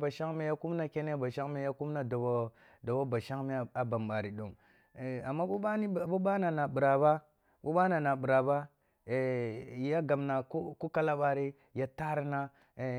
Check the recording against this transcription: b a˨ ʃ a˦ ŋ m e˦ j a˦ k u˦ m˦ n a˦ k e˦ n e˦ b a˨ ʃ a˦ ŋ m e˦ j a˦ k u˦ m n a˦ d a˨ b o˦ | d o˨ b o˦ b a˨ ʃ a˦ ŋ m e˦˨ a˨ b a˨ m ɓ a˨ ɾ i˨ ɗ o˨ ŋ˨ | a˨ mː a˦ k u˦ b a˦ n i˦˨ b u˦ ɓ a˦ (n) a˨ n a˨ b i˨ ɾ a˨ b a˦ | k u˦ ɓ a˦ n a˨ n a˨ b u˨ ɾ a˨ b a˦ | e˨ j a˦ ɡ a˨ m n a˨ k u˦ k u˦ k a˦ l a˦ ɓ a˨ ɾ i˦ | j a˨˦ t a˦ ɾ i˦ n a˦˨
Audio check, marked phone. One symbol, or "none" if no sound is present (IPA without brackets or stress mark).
n